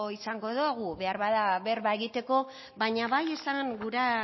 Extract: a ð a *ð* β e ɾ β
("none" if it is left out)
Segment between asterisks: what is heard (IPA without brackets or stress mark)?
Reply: none